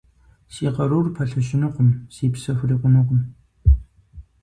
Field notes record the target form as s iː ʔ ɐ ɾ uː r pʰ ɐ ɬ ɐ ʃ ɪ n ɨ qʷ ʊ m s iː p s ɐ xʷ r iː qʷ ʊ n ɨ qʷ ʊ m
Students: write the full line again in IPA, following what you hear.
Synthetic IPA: s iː q ɐ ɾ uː r pʰ ɐ ɬ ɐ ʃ ɪ n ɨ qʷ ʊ m s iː p s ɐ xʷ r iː qʷ ʊ n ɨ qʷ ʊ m